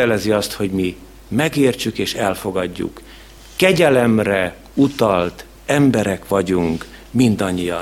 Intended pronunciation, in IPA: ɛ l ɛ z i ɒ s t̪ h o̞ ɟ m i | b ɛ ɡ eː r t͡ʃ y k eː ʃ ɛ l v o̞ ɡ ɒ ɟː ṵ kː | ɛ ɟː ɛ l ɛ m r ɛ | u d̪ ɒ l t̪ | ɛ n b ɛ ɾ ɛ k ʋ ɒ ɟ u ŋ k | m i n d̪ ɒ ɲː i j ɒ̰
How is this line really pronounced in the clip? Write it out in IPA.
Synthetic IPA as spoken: ɛ l ɛ z i ɒ s t̪ h o̞ ɟ m i | m ɛ ɡ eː r t͡ʃ y k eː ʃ ɛ l f o̞ ɡ ɒ ɟː ṵ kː | ɛ ɟ ɛ l ɛ m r ɛ | u t̪ ɒ l t̪ | ɛ m b ɛ ɾ ɛ k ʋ ɒ ɟ u ŋ k | m i n d̪ ɒ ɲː i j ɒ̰